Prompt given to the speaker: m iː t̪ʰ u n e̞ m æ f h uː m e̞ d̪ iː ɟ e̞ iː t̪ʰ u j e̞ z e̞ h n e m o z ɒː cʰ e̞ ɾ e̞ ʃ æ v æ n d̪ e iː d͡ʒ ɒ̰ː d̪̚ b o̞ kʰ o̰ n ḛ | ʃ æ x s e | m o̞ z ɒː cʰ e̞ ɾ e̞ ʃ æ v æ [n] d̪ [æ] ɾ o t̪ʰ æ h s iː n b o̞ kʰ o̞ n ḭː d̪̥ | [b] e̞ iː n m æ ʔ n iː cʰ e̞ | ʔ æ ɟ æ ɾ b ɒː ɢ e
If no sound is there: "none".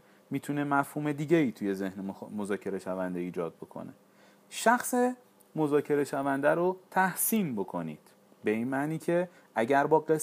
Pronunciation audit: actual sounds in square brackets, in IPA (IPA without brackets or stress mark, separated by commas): n, æ, b